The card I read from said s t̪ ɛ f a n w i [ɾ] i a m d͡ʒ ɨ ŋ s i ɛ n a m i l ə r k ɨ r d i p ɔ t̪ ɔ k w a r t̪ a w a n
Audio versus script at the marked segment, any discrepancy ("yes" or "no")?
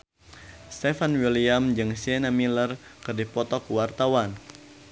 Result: yes